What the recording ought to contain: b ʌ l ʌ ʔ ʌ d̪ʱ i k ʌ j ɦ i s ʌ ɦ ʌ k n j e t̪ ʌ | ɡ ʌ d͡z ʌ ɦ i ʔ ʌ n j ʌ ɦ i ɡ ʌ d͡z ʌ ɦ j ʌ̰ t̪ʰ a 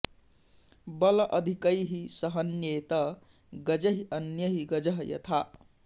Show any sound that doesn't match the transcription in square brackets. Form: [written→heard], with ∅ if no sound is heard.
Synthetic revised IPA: b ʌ l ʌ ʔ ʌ d̪ʱ i k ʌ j ɦ i s ʌ ɦ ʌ [k→∅] n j e t̪ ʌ | ɡ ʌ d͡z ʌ ɦ i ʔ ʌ n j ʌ ɦ i ɡ ʌ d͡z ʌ ɦ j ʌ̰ t̪ʰ a